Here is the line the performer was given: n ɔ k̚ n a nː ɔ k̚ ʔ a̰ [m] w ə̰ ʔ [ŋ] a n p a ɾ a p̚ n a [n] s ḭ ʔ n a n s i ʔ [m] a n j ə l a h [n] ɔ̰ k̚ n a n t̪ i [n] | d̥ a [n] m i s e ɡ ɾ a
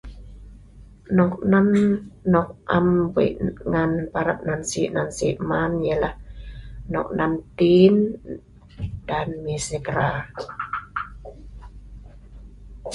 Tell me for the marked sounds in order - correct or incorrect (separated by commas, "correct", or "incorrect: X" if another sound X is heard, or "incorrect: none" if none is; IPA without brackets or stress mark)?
correct, correct, correct, correct, correct, correct, correct